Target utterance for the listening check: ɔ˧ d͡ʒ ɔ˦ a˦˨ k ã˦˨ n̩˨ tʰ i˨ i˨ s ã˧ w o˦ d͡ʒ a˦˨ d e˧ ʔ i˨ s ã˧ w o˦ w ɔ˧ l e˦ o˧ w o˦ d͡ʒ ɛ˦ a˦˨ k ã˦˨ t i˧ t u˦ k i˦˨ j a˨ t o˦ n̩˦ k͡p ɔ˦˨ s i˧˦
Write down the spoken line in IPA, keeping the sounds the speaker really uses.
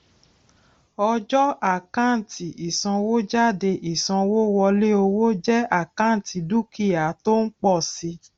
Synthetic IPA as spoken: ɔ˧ d͡ʒ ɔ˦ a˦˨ k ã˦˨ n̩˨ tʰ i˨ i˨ s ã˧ w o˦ d͡ʒ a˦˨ d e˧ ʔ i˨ s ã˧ w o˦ w ɔ˧ l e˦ o˧ w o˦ d͡ʒ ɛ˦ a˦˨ k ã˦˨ t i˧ d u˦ k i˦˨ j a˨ t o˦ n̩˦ k͡p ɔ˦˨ s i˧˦